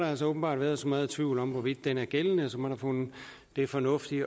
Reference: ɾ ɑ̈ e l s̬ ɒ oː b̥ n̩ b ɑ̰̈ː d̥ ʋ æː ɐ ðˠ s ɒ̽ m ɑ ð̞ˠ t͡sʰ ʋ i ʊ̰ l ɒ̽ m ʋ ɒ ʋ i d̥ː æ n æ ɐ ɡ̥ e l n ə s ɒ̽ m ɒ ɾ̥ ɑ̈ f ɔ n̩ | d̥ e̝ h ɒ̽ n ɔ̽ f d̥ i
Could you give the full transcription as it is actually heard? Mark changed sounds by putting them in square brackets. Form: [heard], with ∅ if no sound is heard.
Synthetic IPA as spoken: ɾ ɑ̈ [æ] l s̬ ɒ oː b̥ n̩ b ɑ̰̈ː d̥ ʋ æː ɐ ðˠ s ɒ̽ m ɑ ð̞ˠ t͡sʰ ʋ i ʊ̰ l ɒ̽ m ʋ ɒ ʋ i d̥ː [e] n æ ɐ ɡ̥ e l n ə s ɒ̽ m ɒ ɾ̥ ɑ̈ f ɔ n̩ | d̥ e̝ [f] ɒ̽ n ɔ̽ f d̥ i